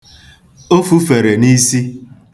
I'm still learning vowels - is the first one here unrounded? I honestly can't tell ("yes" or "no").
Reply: no